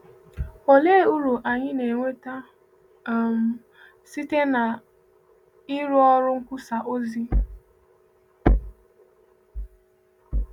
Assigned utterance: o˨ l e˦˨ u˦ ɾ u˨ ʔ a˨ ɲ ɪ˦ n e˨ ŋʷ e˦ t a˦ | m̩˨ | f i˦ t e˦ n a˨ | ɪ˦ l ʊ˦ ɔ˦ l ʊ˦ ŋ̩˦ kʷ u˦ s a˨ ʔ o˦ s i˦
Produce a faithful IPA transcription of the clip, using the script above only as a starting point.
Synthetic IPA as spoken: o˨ l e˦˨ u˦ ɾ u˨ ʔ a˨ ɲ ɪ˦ n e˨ ŋʷ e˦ t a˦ | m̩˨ | s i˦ t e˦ n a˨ | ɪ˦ ɾ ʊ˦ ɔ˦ ɾ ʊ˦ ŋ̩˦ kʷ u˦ s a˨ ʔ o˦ z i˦